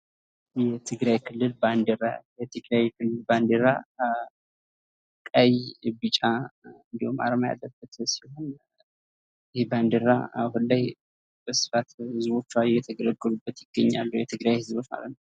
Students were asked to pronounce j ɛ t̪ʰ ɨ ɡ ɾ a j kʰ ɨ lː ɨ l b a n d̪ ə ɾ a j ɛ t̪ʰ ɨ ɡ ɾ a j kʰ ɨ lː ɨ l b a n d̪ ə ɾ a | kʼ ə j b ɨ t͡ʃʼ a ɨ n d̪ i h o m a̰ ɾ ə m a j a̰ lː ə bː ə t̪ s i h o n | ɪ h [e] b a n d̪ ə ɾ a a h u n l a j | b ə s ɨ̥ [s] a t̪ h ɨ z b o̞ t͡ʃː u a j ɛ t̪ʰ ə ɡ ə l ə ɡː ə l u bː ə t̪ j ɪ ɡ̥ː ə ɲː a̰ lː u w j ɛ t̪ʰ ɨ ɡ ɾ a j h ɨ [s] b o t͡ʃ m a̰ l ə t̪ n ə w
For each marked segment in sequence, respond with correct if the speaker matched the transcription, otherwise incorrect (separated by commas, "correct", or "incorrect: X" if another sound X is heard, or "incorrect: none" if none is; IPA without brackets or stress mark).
correct, incorrect: f, incorrect: z